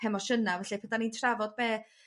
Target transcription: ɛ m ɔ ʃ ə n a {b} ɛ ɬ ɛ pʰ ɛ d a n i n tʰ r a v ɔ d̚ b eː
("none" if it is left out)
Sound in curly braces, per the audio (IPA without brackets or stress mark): v